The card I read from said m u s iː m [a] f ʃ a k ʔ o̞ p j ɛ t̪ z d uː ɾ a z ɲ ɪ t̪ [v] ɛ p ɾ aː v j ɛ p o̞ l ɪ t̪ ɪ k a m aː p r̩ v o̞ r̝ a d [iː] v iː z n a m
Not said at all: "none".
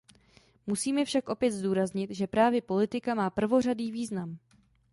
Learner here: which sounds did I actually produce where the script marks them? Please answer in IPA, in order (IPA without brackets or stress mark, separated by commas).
ɛ, ʒ, iː